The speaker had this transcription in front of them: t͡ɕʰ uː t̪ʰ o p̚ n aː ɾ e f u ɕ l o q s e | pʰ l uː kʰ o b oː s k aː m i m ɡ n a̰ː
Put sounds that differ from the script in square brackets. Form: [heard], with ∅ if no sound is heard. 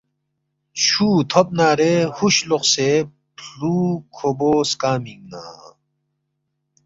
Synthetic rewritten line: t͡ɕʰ uː t̪ʰ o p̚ n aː ɾ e [h] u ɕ l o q s e | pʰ l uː kʰ o b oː s k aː m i [ŋ] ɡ n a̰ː